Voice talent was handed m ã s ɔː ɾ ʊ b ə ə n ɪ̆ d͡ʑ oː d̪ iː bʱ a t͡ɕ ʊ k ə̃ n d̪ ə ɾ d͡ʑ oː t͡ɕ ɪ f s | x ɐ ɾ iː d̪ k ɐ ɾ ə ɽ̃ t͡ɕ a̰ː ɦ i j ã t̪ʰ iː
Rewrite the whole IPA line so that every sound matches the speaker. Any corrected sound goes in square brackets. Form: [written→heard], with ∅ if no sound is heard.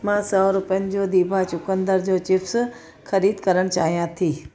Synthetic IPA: m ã s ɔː ɾ ʊ [b→p] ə ə n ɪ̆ d͡ʑ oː d̪ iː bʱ a t͡ɕ ʊ k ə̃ n d̪ ə ɾ d͡ʑ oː t͡ɕ ɪ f s | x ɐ ɾ iː d̪ k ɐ ɾ ə ɽ̃ t͡ɕ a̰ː ɦ i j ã t̪ʰ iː